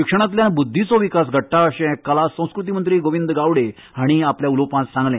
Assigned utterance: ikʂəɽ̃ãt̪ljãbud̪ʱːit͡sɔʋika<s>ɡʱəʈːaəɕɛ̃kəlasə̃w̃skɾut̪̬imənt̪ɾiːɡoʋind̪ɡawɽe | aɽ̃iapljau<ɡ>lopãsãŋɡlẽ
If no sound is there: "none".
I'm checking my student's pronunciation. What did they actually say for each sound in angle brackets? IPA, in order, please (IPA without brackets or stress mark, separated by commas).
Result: s, none